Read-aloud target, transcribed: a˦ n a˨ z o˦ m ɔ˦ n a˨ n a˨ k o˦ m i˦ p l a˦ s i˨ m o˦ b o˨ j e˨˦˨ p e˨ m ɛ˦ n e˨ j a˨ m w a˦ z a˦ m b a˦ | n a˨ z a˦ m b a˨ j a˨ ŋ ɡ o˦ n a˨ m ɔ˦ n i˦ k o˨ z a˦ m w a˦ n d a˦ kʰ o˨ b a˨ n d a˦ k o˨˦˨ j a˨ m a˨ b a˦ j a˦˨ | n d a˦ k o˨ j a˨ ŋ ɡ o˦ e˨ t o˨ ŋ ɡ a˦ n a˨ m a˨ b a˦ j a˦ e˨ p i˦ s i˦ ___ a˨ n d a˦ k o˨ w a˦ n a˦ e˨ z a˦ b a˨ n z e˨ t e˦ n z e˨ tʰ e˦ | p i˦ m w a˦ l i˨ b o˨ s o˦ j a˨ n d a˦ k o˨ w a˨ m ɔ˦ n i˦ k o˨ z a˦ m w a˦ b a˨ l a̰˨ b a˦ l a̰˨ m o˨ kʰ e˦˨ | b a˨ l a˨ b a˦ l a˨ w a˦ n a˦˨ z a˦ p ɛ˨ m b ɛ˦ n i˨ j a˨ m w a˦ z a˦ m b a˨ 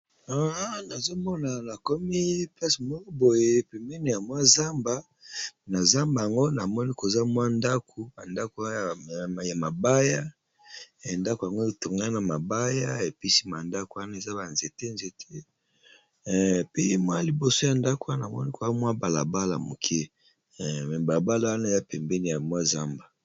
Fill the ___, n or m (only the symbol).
m